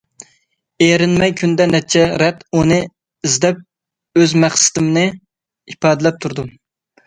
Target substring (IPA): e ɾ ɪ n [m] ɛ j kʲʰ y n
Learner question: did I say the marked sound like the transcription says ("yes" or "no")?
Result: yes